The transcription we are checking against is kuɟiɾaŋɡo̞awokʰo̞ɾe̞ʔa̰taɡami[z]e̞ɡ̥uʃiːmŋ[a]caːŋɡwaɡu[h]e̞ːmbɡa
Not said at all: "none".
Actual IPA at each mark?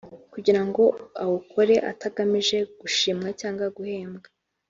ʒ, a, h

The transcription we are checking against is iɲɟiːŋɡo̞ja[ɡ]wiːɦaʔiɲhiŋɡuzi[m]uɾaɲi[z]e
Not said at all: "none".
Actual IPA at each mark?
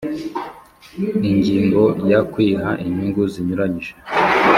k, ɲ, ʒ

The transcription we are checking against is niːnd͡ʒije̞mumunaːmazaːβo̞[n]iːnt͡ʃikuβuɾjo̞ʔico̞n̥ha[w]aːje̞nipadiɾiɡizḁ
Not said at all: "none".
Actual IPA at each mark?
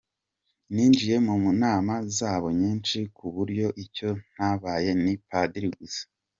ɲ, β

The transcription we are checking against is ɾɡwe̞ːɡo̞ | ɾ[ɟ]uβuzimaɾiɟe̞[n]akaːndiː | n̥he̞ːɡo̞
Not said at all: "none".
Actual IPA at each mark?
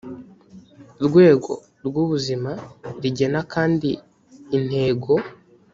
ɡ, n

